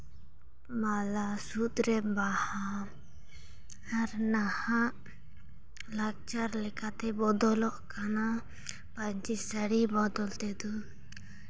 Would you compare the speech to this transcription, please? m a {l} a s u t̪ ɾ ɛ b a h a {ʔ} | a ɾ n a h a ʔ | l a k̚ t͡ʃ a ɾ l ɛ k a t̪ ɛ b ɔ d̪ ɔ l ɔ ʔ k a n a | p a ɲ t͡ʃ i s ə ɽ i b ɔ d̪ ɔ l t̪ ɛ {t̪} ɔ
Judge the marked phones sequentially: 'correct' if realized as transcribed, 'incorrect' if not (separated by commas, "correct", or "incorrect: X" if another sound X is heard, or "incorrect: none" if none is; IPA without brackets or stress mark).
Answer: correct, incorrect: none, incorrect: d̪